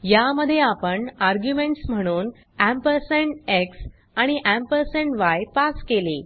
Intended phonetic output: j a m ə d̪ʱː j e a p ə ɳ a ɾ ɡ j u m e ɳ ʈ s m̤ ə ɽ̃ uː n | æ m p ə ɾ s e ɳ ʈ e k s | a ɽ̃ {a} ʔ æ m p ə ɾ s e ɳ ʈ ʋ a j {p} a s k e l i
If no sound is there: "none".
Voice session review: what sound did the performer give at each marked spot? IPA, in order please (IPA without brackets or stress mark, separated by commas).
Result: i, p